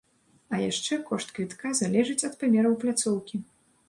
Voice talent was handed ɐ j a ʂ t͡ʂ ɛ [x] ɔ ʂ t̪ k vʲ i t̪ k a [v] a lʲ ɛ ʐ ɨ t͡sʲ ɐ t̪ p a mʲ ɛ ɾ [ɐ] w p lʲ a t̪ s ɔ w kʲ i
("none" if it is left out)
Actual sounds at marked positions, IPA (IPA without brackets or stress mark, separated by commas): k, z, ɐ